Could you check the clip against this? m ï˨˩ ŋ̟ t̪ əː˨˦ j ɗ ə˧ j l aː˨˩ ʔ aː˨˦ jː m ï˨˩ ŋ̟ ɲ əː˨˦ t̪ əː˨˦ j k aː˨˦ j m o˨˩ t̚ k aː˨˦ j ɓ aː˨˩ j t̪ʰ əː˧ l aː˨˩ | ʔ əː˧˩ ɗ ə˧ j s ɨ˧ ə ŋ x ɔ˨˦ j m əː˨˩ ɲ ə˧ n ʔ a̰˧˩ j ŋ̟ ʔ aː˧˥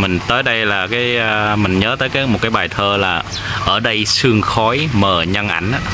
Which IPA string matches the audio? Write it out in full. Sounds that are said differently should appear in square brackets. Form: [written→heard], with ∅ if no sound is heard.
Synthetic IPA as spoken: m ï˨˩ ŋ̟ t̪ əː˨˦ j ɗ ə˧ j l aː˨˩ [ʔ→k] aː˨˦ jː m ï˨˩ ŋ̟ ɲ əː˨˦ t̪ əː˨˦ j k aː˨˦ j m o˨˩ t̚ k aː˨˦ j ɓ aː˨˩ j t̪ʰ əː˧ l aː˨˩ | ʔ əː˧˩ ɗ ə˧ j s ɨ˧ ə ŋ x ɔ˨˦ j m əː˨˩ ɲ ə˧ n ʔ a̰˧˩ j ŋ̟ ʔ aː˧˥